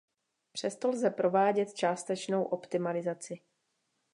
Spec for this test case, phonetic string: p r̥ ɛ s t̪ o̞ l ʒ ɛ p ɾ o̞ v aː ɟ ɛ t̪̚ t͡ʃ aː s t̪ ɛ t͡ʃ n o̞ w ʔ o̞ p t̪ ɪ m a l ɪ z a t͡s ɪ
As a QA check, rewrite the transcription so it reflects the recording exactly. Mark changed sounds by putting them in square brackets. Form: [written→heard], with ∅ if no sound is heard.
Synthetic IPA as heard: p r̥ ɛ s t̪ o̞ l [ʒ→z] ɛ p ɾ o̞ v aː ɟ ɛ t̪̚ t͡ʃ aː s t̪ ɛ t͡ʃ n o̞ w ʔ o̞ p t̪ ɪ m a l ɪ z a t͡s ɪ